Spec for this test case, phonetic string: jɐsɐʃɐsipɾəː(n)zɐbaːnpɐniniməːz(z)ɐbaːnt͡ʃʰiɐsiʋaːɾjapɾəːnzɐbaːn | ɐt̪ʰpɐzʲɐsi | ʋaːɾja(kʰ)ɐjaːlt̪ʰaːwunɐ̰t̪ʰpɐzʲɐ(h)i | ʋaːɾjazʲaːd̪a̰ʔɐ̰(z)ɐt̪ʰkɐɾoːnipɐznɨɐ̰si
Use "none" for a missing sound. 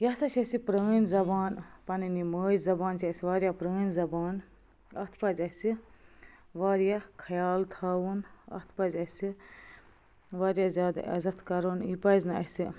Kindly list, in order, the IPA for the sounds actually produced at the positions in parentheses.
n, z, kʰ, s, z

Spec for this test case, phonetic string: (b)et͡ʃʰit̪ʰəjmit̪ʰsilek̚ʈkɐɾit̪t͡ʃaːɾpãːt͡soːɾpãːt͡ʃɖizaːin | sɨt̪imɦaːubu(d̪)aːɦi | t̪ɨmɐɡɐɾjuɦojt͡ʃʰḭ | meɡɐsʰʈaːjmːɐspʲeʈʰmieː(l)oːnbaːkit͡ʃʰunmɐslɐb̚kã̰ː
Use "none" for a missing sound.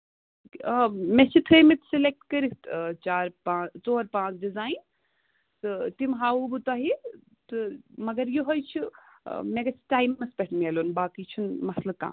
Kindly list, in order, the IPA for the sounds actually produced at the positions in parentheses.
m, t̪, l

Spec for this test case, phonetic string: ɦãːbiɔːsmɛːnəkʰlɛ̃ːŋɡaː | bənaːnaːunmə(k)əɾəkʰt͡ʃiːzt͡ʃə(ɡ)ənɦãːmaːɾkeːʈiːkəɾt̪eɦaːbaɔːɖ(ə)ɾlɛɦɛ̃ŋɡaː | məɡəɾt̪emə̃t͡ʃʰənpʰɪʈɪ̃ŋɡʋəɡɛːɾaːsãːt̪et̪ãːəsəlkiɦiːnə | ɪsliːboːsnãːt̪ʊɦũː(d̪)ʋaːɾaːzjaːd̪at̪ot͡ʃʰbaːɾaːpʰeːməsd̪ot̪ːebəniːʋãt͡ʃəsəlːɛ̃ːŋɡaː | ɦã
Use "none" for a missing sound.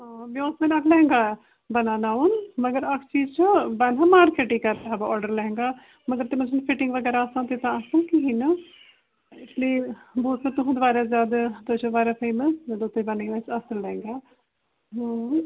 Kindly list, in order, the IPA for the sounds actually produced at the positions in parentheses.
ɡ, b, ə, d̪

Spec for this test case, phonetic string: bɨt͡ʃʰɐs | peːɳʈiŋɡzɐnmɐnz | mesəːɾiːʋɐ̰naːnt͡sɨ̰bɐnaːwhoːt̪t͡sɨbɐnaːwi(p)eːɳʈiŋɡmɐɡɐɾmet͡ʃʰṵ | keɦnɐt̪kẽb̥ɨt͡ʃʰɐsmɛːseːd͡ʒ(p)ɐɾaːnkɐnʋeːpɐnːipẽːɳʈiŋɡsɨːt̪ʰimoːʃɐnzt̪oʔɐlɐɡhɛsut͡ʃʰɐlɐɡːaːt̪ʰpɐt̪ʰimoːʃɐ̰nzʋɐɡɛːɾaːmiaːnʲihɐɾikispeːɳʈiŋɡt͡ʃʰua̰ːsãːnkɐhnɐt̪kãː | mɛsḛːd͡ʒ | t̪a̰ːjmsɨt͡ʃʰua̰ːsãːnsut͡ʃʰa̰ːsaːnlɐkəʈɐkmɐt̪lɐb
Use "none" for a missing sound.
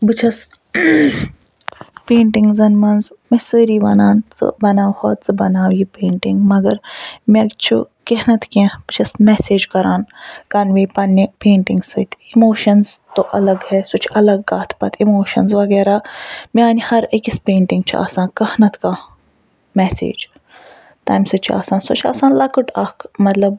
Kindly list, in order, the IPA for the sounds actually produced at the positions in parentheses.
p, k

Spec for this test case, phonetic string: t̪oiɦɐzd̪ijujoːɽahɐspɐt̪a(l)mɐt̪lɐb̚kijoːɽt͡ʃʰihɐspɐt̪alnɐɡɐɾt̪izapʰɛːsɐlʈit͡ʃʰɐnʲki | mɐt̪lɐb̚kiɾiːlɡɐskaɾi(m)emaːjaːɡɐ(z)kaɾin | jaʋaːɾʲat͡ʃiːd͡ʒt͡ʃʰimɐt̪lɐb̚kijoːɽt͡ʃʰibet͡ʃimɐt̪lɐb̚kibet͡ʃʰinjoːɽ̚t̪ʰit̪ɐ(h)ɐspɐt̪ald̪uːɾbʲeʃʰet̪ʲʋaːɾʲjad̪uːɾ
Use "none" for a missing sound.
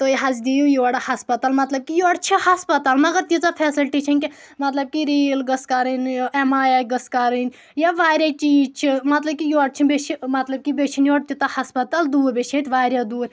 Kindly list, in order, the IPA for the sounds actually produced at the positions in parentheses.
l, n, s, h

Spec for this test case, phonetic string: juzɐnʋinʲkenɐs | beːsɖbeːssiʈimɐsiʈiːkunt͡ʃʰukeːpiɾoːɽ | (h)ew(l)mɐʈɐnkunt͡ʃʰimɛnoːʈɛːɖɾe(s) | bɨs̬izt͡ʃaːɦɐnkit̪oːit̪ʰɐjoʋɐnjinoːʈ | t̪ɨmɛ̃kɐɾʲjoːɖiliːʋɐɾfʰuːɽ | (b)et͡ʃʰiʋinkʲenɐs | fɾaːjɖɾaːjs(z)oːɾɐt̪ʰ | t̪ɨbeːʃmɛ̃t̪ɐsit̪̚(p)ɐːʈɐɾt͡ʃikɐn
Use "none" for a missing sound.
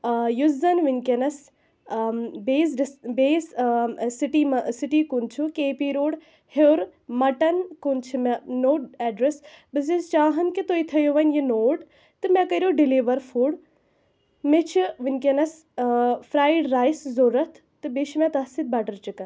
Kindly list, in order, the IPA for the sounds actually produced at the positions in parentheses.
h, ɾ, s, m, z, b

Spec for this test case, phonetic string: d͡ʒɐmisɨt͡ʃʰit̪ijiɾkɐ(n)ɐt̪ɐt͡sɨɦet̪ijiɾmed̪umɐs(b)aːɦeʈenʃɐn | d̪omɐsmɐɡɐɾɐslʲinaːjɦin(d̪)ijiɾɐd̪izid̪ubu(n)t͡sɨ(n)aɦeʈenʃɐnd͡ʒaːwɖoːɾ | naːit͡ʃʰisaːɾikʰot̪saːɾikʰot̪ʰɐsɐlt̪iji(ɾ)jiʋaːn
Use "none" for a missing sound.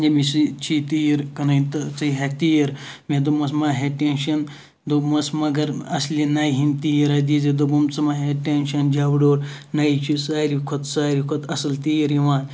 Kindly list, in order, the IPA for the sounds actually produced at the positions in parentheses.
n, m, t̪, m, m, ɾ

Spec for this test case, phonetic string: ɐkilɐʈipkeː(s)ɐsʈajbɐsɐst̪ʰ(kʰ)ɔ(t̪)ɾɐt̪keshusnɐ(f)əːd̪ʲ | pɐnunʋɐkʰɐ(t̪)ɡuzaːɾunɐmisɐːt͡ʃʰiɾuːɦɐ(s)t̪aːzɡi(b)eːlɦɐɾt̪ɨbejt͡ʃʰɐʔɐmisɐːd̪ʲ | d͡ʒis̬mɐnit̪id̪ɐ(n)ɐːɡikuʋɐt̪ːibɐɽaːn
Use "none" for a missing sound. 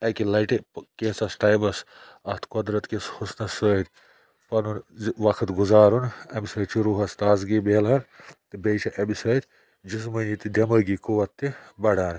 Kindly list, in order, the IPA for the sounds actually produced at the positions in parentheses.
s, k, d̪, s, t̪, s, b, m

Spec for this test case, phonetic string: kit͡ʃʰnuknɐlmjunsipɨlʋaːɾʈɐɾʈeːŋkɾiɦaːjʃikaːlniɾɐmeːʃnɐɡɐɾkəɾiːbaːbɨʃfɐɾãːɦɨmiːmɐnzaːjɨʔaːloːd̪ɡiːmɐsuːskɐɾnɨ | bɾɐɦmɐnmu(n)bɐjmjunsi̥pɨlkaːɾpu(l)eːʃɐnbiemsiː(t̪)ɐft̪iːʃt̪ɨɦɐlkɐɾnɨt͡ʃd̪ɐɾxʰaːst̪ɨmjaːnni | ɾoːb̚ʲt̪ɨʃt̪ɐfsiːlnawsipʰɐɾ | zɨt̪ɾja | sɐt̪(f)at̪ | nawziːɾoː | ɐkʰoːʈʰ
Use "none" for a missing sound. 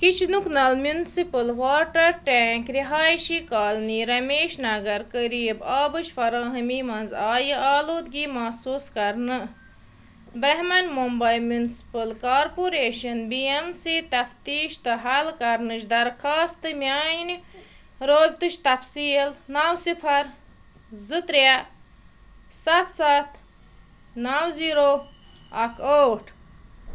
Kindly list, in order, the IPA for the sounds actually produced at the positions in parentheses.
m, ɾ, t̪, s

